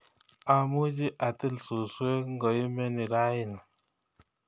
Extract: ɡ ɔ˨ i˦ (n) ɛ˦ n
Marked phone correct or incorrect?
incorrect